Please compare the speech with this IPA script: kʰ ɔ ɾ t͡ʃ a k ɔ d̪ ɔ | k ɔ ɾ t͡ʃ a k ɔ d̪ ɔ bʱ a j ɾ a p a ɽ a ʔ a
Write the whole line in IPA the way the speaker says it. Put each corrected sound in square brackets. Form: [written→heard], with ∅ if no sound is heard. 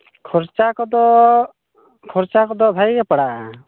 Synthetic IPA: kʰ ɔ ɾ t͡ʃ a k ɔ d̪ ɔ | [k→kʰ] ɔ ɾ t͡ʃ a k ɔ d̪ ɔ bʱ a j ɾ [a→ɛ] p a ɽ a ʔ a